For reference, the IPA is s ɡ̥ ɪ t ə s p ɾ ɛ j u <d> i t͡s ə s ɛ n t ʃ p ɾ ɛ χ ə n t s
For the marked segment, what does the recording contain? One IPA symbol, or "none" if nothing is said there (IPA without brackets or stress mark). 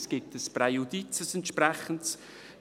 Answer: d